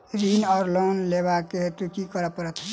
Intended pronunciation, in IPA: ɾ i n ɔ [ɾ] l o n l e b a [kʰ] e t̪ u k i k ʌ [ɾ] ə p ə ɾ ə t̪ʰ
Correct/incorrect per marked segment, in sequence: correct, incorrect, correct

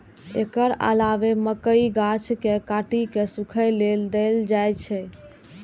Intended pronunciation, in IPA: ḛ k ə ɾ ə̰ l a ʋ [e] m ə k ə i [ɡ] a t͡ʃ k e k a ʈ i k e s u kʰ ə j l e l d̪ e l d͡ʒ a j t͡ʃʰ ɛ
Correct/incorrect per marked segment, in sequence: correct, correct

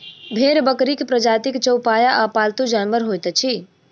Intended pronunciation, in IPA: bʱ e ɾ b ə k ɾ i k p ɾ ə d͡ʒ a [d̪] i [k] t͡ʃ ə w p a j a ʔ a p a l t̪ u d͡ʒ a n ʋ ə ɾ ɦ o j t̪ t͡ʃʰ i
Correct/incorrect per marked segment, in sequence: incorrect, correct

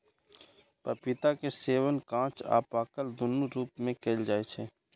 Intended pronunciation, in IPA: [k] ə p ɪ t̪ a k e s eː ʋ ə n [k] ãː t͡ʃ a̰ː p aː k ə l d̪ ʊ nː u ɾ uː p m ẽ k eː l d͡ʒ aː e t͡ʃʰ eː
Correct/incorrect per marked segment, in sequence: incorrect, correct

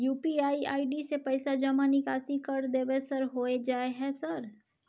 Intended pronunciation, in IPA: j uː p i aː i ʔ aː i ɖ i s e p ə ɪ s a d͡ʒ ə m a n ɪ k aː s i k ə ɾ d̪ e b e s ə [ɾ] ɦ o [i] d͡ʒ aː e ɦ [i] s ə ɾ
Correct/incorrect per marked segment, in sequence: correct, incorrect, incorrect

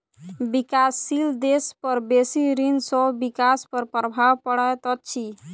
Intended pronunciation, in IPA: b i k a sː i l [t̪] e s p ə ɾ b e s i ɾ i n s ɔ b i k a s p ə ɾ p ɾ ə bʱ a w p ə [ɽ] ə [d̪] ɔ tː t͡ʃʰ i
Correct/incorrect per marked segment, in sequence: incorrect, correct, incorrect

